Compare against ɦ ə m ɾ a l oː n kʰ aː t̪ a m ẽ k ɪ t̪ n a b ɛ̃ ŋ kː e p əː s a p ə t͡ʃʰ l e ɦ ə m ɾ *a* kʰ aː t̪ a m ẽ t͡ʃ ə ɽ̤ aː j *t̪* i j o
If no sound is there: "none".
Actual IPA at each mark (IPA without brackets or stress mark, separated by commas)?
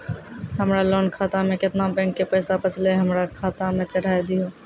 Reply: a, d̪